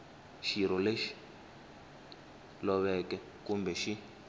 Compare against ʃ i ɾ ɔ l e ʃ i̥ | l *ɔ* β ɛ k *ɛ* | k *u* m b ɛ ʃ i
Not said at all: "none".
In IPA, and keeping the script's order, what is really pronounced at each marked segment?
ɔ, ɛ, u

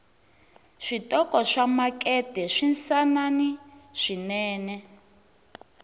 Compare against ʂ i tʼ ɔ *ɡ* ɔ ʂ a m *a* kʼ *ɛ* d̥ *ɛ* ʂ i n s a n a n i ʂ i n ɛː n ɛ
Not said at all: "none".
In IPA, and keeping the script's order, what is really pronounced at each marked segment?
k, a, ɛ, ɛ

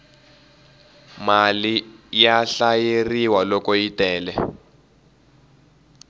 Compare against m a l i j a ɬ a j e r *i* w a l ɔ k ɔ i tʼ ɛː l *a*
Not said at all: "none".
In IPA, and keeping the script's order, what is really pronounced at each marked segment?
i, ɛ

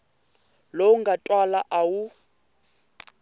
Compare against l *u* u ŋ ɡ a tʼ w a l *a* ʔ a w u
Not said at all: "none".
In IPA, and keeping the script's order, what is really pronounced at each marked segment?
o, a

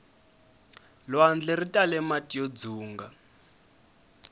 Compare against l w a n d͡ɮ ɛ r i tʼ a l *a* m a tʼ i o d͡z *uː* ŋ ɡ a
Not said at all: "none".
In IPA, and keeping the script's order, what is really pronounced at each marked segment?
ɛ, uː

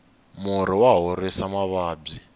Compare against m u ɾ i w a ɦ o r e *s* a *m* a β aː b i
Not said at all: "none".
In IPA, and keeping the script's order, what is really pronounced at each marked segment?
s, m

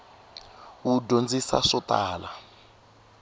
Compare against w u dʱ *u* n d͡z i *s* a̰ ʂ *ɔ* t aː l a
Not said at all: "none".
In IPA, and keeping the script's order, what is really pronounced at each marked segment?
o, s, ɔ

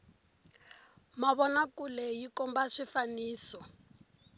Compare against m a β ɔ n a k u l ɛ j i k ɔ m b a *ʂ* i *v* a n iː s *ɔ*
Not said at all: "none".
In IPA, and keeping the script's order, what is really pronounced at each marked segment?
ʂ, f, ɔ

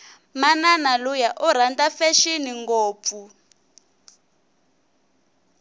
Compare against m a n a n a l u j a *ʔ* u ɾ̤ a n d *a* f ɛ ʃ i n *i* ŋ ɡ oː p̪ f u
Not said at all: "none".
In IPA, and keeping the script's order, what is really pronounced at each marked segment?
ʔ, a, i

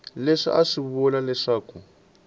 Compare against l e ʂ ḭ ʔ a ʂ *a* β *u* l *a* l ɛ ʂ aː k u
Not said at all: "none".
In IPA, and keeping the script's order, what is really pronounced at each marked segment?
i, ɔ, a

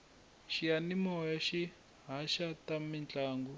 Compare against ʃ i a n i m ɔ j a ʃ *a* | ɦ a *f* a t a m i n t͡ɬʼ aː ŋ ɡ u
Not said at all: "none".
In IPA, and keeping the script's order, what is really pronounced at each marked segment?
i, ʃ

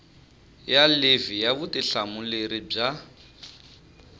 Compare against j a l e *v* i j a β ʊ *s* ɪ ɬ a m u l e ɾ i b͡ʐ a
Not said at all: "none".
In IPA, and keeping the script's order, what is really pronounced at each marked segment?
v, t

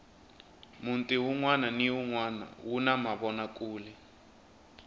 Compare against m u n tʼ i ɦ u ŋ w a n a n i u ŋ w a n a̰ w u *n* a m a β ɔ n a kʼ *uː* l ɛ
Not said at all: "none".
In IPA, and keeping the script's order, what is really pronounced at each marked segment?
n, uː

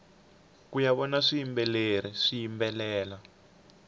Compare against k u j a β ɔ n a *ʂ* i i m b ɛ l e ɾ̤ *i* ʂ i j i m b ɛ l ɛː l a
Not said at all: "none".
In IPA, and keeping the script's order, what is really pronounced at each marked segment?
ʂ, i

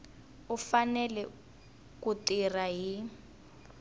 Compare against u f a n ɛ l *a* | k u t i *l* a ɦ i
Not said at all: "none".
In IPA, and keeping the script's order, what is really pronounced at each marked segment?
ɛ, r

